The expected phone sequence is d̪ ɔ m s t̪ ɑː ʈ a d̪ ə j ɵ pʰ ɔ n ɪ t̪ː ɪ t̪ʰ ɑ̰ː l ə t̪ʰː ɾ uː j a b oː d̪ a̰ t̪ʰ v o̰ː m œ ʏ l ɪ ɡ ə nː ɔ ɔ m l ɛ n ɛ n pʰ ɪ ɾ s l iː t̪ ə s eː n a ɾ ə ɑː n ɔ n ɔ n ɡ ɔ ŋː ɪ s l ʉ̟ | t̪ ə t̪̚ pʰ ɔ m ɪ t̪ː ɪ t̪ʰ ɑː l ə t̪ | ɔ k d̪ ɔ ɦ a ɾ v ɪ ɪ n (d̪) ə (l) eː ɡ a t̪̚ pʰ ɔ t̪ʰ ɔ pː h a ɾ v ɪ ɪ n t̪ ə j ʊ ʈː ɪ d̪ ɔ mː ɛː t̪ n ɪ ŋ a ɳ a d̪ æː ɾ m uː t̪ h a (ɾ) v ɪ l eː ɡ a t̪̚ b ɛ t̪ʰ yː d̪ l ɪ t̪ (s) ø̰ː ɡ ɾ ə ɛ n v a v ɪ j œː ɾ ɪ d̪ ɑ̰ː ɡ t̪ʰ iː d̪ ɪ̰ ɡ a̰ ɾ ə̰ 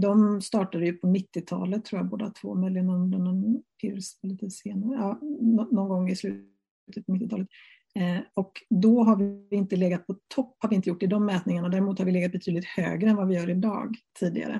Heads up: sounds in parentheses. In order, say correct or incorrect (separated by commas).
incorrect, correct, correct, incorrect